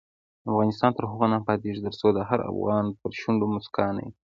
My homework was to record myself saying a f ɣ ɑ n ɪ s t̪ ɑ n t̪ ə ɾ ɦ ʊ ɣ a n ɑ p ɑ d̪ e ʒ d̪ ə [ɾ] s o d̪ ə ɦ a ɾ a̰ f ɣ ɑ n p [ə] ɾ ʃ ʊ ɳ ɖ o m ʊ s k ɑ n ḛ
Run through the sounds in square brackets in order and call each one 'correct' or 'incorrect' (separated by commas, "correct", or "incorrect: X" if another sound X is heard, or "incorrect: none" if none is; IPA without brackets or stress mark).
correct, correct